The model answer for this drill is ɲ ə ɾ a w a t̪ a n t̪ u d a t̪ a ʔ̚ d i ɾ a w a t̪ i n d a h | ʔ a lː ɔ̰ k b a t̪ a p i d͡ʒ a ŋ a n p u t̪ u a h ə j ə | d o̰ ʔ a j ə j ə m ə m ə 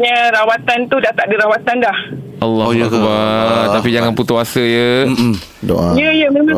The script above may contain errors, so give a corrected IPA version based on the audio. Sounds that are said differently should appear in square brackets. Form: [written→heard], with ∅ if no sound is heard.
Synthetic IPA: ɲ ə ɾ a w a t̪ a n t̪ u d a t̪ a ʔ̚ d i ɾ a w a t̪ [i→a] n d a h | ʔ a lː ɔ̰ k b a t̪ a p i d͡ʒ a ŋ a n p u t̪ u a [h→s] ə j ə | d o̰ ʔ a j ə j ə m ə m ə